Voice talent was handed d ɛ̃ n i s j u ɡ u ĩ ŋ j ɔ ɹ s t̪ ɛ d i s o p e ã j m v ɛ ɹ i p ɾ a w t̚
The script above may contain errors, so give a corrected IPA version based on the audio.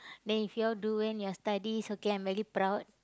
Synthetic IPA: d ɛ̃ n i f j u d u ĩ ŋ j ɔ s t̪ a d i s o k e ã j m v ɛ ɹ i p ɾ a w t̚